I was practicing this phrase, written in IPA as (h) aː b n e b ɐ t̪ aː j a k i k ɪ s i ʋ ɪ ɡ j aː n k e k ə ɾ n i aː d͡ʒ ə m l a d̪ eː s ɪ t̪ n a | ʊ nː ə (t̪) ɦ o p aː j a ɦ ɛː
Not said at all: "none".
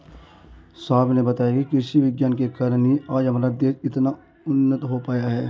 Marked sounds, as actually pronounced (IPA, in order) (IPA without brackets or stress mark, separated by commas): s, t̪